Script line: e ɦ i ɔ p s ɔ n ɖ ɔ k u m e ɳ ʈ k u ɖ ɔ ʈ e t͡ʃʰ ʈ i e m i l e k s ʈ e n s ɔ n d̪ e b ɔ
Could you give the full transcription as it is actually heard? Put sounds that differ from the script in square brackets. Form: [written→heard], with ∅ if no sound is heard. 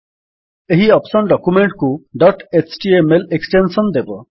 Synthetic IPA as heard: e ɦ i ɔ p s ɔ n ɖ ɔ k u m e ɳ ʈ k u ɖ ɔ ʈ e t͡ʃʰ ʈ i e m [i→e] l e k s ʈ e n s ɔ n d̪ e b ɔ